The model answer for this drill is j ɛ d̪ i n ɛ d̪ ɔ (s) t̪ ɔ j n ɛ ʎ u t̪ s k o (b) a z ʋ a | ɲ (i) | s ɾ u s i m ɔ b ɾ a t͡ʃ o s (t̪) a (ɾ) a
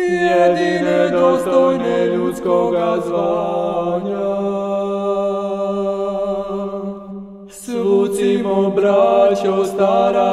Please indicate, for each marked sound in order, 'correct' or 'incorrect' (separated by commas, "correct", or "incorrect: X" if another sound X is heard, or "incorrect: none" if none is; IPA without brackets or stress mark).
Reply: correct, incorrect: ɡ, incorrect: a, correct, correct